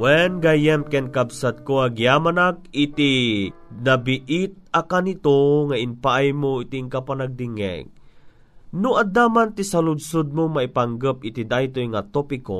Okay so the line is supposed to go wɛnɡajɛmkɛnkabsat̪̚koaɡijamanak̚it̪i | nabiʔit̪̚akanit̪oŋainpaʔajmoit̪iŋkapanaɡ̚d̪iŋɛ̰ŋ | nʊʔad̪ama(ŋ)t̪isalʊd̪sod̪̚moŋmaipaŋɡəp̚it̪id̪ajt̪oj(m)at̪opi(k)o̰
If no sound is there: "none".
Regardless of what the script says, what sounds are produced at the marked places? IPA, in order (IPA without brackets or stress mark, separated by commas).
n, ŋ, k